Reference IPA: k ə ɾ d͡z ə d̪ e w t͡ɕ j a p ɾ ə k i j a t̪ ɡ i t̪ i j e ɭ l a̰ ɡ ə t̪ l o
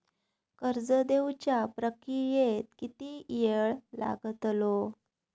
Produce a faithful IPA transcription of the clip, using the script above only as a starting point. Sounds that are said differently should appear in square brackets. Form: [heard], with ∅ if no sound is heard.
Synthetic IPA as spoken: k ə ɾ d͡z ə d̪ e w t͡ɕ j a p ɾ ə k i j [e] t̪ [k] i t̪ i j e ɭ l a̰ ɡ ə t̪ l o

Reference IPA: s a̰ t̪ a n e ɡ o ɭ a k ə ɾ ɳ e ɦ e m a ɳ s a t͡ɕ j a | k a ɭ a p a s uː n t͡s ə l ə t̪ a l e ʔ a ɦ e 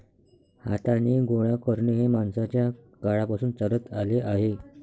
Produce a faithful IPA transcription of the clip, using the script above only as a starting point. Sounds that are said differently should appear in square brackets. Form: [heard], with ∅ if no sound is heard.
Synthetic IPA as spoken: [h] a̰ t̪ a n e ɡ o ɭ a k ə ɾ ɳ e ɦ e m a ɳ s a t͡ɕ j a | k a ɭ a p a s uː n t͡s ə [ɾ] ə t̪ a l e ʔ a ɦ e

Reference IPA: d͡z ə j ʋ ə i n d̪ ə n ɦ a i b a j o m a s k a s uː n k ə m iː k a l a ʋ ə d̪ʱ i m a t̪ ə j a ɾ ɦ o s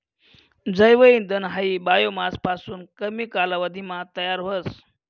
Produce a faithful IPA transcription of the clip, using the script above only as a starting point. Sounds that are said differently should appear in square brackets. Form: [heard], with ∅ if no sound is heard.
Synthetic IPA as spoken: d͡z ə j ʋ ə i n d̪ ə n ɦ a i b a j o m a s [p] a s uː n k ə m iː k a l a ʋ ə d̪ʱ i m a t̪ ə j a ɾ ɦ o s

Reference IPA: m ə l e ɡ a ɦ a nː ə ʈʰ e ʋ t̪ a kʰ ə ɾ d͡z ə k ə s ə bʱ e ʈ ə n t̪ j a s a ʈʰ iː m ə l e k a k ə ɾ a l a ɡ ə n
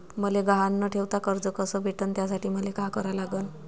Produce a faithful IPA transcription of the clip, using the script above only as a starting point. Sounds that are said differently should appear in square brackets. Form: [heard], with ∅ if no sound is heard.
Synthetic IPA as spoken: m ə l e ɡ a ɦ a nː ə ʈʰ e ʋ t̪ a [k] ə ɾ d͡z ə k ə s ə bʱ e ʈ ə n t̪ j a s a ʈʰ iː m ə l e k a k ə ɾ a l a ɡ ə n

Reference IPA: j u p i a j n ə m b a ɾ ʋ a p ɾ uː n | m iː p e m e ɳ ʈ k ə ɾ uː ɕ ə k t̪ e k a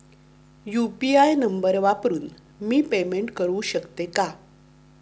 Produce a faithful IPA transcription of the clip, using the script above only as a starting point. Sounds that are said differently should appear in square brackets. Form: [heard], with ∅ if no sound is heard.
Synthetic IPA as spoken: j u p i a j n ə m b [ə] ɾ ʋ a p ɾ uː n | m iː p e m e ɳ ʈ k ə ɾ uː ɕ ə k t̪ e k a

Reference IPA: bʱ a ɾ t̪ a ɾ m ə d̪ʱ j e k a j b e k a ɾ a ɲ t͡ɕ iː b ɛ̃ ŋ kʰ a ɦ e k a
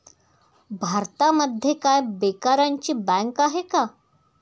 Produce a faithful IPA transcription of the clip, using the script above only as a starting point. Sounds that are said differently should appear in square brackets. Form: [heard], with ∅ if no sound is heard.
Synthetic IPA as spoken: bʱ a ɾ t̪ a [∅] m ə d̪ʱ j e k a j b e k a ɾ a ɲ t͡ɕ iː b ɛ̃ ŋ [k] a ɦ e k a

